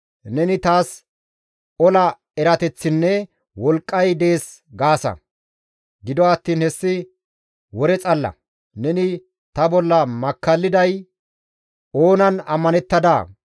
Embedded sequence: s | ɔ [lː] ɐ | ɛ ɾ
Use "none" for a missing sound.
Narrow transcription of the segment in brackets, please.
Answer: l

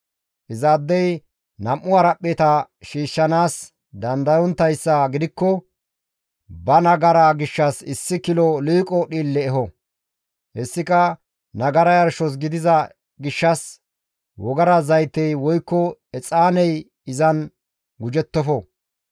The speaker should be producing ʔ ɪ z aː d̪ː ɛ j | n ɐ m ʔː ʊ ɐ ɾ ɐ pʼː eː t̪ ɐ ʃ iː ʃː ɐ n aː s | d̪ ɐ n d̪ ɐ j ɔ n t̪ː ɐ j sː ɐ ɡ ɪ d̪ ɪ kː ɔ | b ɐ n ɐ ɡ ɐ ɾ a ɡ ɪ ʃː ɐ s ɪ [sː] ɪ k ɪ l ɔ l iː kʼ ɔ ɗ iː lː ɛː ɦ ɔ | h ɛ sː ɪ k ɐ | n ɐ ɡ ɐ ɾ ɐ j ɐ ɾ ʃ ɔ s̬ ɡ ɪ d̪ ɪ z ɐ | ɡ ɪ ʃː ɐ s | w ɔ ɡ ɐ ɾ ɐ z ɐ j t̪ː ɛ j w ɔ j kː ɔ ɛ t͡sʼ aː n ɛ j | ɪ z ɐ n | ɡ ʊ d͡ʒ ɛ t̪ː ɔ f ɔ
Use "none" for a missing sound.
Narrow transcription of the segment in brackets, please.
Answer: sː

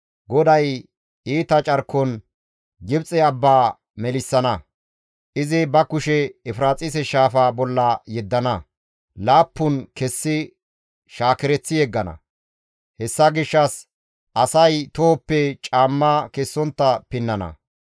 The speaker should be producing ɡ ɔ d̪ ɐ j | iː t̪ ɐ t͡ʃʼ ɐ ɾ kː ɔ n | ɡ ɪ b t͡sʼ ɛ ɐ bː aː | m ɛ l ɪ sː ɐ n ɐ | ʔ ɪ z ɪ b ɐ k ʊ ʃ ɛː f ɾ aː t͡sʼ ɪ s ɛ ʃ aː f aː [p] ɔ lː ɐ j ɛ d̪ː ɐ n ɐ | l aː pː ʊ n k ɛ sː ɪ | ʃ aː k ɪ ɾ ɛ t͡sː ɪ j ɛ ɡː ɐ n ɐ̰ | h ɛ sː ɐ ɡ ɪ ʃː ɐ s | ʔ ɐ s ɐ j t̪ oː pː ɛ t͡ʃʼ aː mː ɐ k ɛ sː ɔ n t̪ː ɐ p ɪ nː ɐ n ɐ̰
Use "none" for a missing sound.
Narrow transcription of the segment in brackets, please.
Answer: b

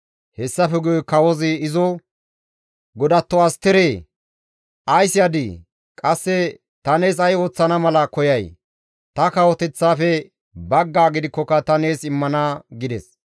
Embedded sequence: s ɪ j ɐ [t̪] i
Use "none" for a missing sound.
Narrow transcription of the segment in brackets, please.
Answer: d̪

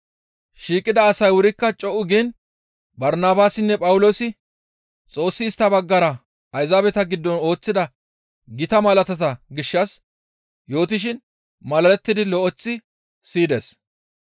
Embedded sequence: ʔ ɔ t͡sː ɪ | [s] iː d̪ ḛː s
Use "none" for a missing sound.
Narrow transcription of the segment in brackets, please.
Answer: s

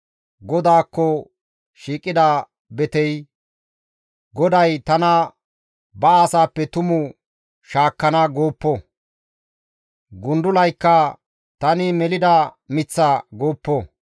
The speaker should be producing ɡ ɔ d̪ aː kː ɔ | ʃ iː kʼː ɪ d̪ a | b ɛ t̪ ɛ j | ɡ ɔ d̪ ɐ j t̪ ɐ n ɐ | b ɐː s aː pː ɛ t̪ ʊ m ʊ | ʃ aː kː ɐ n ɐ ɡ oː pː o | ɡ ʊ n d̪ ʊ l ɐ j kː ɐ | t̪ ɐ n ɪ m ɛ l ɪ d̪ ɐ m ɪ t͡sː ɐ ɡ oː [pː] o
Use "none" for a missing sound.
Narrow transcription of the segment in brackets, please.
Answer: pː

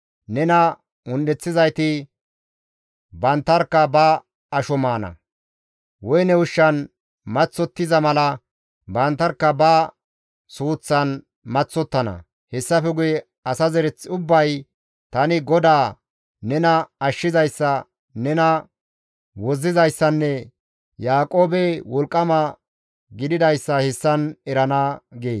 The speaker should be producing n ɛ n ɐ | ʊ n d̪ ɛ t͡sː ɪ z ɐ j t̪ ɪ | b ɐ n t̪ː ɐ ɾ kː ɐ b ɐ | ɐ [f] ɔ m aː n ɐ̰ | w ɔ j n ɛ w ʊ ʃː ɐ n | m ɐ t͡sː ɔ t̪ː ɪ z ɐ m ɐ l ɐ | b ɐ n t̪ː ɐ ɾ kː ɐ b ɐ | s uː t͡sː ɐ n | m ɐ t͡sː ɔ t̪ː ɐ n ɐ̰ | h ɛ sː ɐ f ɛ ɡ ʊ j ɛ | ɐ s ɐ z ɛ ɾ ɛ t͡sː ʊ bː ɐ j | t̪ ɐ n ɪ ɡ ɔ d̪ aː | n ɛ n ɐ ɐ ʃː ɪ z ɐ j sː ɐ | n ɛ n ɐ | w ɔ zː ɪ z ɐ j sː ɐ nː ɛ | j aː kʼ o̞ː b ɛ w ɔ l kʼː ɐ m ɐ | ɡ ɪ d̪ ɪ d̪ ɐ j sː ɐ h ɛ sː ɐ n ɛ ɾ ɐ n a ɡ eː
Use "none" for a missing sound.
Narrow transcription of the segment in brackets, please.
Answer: ʃ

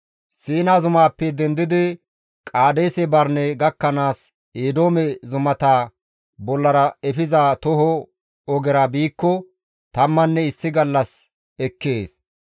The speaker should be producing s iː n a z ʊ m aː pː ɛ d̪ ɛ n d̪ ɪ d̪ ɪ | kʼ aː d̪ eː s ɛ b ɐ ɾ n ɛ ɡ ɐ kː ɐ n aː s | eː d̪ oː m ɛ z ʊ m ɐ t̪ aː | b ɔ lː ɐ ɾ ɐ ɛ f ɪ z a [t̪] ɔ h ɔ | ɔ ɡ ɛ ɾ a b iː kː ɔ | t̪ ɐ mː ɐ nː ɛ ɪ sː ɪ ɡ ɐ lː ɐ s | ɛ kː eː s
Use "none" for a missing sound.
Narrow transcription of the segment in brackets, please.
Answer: t̪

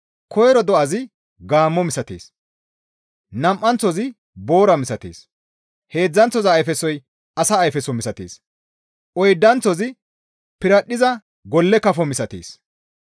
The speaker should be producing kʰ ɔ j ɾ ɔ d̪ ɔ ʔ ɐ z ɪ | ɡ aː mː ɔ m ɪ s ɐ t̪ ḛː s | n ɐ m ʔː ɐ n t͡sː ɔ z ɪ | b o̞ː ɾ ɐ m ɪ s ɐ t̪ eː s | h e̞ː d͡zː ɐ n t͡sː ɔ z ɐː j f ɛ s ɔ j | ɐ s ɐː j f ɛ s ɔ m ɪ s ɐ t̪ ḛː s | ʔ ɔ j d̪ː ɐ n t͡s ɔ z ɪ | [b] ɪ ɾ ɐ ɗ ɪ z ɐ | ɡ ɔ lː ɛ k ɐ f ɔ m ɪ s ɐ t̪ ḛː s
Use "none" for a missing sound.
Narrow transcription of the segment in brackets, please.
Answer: p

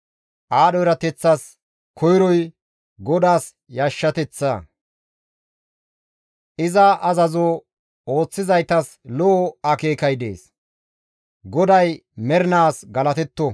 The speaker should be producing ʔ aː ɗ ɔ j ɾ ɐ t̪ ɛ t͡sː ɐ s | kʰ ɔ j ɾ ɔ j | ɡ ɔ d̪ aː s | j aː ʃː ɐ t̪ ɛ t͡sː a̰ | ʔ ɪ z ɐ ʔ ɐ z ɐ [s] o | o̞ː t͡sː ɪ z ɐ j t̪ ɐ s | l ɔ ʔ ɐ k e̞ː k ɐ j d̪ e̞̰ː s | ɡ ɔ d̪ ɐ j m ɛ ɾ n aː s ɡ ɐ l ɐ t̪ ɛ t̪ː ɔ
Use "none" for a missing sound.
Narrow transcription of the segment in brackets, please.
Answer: z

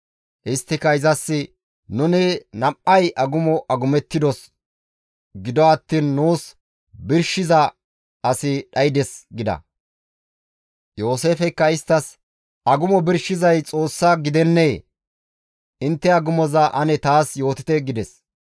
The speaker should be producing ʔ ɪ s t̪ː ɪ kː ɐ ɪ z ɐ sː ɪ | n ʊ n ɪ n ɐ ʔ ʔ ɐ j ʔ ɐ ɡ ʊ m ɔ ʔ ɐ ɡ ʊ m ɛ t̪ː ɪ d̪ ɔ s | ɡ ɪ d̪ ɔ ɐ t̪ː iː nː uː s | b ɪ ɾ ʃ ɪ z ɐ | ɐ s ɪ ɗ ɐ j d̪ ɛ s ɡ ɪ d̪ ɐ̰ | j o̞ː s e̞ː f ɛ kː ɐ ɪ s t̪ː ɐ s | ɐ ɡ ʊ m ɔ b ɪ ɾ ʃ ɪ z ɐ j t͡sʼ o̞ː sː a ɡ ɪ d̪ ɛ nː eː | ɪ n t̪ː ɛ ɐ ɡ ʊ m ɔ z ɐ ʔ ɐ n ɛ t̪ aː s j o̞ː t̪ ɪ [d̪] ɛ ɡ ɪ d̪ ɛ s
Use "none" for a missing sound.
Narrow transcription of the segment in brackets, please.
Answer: t̪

